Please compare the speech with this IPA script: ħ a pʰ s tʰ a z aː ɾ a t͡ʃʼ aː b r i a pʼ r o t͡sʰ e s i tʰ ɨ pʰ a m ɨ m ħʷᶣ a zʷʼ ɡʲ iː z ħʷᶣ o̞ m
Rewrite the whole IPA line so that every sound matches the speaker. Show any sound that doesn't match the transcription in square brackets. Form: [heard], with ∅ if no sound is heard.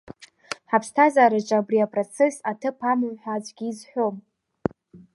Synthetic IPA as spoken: ħ a pʰ s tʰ a z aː ɾ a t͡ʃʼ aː b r i a pʼ r o t͡sʰ e s [a] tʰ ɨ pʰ a m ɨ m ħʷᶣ a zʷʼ ɡʲ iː z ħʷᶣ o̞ m